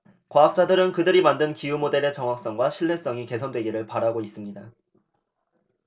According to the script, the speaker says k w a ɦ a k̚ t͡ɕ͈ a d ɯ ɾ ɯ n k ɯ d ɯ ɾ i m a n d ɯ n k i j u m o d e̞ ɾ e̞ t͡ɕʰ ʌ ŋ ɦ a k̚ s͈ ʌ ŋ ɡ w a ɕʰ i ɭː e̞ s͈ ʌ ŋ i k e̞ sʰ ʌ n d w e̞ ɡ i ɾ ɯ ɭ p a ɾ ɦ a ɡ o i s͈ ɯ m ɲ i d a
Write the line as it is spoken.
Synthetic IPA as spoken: k w a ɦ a k̚ t͡ɕ͈ a d ɯ ɾ ɯ n k ɯ d ɯ ɾ i m a n d ɯ n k i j u m o d e̞ ɾ e̞ t͡ɕ ʌ ŋ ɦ a k̚ s͈ ʌ ŋ ɡ w a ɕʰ i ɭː e̞ s͈ ʌ ŋ i k e̞ sʰ ʌ n d w e̞ ɡ i ɾ ɯ ɭ p a ɾ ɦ a ɡ o i s͈ ɯ m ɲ i d a